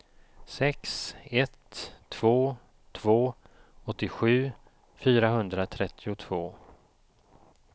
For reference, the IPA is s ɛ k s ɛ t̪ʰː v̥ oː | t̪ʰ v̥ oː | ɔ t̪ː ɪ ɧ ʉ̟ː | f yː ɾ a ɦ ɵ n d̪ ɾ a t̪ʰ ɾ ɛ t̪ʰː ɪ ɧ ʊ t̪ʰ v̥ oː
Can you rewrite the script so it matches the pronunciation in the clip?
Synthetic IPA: s ɛ k s ɛ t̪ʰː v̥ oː | t̪ʰ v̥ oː | ɔ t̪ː ɪ ɧ ʉ̟ː | f yː ɾ a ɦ ɵ n d̪ ɾ a t̪ʰ ɾ ɛ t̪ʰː ɪ ʊ t̪ʰ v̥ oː